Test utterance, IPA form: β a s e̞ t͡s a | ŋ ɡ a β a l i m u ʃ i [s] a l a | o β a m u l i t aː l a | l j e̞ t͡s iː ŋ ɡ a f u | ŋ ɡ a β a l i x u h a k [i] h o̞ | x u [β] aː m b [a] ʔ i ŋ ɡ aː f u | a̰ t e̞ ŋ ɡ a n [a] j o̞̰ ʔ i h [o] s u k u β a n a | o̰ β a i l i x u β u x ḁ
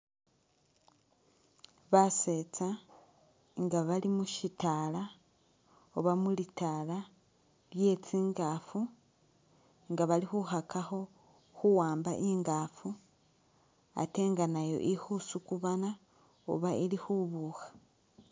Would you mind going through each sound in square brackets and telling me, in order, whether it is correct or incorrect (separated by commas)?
incorrect, incorrect, incorrect, correct, correct, incorrect